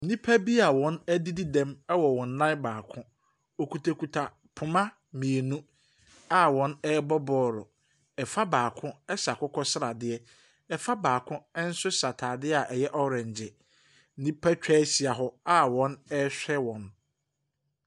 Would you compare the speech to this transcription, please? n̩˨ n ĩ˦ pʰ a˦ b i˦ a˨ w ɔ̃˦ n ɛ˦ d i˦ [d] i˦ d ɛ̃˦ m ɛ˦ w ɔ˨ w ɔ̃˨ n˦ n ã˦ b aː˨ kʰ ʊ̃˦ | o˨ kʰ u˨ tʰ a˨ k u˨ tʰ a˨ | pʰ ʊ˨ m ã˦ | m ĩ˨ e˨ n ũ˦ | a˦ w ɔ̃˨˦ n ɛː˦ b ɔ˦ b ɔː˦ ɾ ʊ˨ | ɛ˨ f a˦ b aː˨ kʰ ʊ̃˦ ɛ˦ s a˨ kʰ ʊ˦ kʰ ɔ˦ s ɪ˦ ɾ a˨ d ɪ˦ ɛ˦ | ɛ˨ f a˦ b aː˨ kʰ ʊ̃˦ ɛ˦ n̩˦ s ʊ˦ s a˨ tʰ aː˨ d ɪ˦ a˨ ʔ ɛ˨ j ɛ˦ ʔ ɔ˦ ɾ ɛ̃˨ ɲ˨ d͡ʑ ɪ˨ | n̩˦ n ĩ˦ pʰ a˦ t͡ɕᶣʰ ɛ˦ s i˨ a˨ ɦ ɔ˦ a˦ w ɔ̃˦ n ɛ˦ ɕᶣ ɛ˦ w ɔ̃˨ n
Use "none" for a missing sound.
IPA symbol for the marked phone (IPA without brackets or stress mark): d